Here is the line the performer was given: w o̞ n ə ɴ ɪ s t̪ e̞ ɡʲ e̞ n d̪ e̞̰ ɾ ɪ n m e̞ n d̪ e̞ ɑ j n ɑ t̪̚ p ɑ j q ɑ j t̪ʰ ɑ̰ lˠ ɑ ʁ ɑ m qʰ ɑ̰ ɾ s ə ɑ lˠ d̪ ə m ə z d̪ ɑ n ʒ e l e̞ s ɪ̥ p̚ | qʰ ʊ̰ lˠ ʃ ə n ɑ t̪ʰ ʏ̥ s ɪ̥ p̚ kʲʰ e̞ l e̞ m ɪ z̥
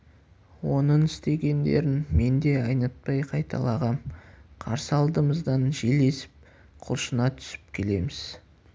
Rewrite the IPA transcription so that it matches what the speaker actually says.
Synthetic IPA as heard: w o̞ n ə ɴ ɪ s t̪ e̞ ɡʲ e̞ n d̪ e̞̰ ɾ ɪ n m e̞ n d̪ e̞ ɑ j n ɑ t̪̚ p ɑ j qʰ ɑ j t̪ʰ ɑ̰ lˠ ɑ ʁ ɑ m qʰ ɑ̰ ɾ s ə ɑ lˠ d̪ ə m ə z d̪ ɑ n ʒ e l e̞ s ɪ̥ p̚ | qʰ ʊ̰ lˠ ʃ ə n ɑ t̪ʰ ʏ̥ s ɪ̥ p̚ kʲʰ e̞ l e̞ m ɪ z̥